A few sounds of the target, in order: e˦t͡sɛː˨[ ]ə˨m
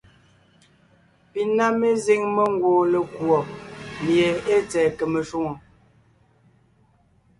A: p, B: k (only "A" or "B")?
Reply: B